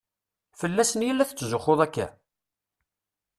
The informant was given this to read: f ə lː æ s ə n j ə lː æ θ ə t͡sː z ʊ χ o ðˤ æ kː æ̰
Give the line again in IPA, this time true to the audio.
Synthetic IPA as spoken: f ə lː æ s ə n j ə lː æ θ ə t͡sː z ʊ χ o ðˤ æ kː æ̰